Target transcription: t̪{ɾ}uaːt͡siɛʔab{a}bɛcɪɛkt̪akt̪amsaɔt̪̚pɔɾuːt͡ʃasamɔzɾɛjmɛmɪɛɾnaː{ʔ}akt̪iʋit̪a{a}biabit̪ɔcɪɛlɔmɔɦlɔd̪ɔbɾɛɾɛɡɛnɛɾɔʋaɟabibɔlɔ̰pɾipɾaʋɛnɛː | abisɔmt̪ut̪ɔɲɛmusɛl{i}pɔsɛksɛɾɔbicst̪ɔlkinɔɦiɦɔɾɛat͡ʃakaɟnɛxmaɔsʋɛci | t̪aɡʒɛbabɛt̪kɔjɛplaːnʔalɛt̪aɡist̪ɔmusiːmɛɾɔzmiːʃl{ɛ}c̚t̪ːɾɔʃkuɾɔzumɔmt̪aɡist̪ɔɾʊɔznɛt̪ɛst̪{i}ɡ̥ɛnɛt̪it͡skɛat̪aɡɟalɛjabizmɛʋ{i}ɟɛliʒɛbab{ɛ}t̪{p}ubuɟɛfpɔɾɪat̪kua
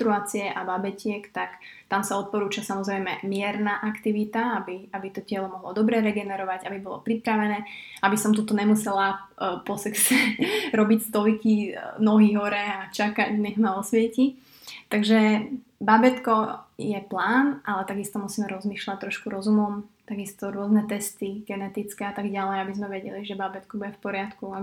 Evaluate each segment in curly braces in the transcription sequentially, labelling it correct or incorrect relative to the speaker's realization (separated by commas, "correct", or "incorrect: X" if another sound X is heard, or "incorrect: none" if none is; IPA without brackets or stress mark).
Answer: correct, correct, correct, correct, incorrect: a, incorrect: a, correct, incorrect: ɛ, correct, incorrect: k